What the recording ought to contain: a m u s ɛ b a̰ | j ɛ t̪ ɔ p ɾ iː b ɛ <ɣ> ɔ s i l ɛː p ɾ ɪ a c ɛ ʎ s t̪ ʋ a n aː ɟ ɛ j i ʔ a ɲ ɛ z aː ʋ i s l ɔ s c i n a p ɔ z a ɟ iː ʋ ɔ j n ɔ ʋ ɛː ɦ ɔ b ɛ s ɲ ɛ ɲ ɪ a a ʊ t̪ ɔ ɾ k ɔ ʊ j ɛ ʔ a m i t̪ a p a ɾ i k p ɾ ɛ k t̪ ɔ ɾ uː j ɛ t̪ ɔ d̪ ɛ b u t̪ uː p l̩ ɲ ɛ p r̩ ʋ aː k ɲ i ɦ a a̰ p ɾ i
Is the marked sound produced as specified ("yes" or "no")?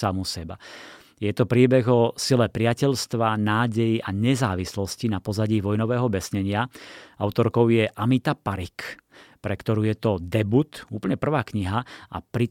yes